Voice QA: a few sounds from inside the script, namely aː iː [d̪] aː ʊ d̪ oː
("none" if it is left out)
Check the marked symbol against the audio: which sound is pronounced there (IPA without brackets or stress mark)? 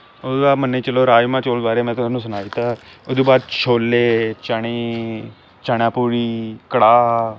t̪